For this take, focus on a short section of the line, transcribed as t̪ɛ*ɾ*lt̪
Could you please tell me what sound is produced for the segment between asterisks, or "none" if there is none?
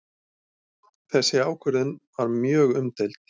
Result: none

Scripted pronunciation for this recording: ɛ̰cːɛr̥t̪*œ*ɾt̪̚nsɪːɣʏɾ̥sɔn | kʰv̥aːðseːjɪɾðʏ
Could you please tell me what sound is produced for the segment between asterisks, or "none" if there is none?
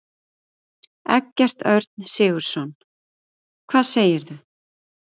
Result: œ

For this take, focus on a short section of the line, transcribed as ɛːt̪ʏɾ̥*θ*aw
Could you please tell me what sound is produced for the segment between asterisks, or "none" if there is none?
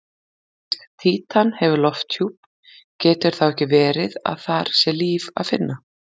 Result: θ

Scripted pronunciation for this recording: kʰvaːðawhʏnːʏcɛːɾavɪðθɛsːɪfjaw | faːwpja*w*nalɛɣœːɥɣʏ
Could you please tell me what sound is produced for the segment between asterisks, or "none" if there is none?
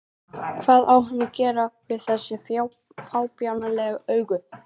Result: w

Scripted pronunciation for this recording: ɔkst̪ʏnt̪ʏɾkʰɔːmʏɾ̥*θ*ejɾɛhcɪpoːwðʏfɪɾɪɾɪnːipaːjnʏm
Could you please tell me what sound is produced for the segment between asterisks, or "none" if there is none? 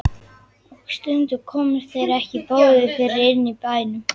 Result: θ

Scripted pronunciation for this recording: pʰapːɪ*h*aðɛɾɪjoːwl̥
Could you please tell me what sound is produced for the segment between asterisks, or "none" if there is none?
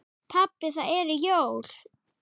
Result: θ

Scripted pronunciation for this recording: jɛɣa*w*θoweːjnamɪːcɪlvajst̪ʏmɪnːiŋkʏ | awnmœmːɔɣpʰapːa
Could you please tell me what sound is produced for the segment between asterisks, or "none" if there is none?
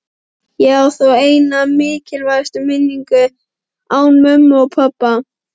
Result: w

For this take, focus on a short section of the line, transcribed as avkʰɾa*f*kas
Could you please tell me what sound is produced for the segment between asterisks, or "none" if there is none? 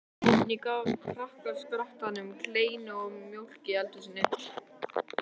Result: h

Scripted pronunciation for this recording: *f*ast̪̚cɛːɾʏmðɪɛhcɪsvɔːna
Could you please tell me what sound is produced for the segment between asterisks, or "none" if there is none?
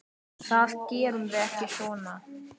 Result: θ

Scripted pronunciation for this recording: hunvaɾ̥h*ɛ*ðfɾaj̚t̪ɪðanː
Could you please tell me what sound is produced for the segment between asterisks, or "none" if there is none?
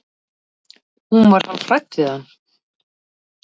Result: a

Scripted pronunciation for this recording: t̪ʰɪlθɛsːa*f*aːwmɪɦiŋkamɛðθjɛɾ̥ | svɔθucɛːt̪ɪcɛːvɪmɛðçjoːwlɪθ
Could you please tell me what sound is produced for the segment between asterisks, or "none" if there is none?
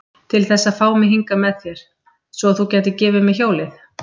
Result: f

